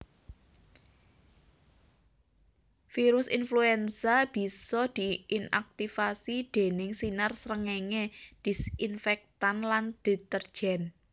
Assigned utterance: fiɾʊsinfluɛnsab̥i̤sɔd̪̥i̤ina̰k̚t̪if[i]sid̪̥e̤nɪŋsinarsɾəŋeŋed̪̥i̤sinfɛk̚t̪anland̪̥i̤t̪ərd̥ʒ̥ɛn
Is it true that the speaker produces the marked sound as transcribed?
no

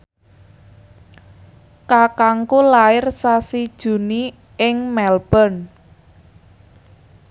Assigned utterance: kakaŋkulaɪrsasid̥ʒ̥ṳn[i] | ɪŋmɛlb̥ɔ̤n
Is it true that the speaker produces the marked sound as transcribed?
yes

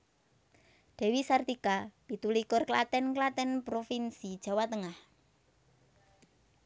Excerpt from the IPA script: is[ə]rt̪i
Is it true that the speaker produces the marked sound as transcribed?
no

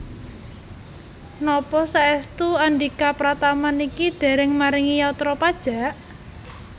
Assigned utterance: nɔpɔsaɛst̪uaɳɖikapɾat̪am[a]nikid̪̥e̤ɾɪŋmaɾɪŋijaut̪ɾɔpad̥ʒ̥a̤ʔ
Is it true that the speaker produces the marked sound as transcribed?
yes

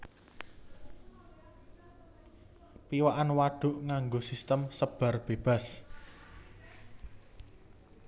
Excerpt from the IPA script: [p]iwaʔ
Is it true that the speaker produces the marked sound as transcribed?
yes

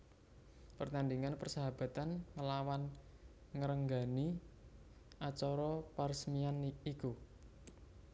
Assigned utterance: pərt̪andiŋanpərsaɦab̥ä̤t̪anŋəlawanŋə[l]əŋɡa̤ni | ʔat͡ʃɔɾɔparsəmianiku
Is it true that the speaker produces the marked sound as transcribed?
no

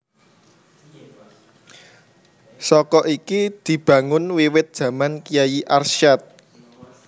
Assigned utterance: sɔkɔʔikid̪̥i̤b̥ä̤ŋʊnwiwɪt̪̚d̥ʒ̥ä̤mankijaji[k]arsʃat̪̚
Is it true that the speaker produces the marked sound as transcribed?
no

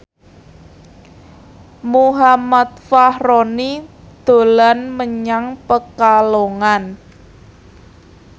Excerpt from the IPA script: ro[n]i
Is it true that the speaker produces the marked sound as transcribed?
yes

